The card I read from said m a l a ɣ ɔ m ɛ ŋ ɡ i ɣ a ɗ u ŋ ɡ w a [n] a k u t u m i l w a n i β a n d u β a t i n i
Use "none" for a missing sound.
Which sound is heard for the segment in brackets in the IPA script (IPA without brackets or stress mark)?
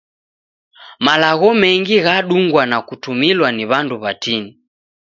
n